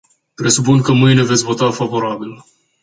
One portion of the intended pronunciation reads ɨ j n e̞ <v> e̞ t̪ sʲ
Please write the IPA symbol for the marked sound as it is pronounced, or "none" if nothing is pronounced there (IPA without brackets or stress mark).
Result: v